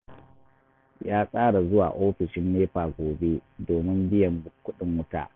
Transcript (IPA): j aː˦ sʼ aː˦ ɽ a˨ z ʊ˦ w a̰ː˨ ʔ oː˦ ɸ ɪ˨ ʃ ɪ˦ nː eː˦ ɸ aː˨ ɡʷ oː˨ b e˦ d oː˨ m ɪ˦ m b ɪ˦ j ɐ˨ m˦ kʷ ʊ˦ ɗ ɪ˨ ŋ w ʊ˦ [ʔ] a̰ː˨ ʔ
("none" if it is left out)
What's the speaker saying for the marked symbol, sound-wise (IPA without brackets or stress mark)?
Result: t